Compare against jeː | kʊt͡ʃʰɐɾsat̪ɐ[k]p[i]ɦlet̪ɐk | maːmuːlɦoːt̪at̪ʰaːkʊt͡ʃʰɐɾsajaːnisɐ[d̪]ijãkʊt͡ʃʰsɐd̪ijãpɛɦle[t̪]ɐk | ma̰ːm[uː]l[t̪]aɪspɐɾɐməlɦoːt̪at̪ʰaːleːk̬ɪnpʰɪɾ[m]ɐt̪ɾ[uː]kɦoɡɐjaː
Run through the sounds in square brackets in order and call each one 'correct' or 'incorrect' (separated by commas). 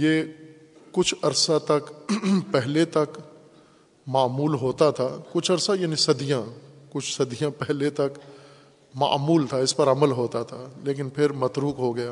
correct, incorrect, correct, correct, correct, incorrect, correct, correct